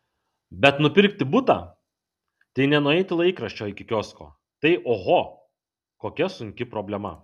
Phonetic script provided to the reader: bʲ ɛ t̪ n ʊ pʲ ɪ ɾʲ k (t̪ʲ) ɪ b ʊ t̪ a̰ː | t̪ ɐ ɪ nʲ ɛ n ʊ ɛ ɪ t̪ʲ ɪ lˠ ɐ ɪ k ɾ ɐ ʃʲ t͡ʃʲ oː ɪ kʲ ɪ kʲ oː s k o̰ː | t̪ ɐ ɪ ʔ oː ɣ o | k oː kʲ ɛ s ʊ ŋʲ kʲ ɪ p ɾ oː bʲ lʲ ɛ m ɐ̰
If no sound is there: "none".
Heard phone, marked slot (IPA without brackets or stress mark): t̪ʲ